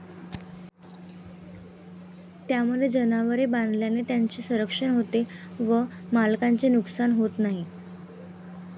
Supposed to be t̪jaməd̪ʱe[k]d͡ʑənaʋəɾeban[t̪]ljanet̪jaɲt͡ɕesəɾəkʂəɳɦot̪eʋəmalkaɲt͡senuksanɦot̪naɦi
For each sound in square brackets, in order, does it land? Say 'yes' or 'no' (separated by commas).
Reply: no, no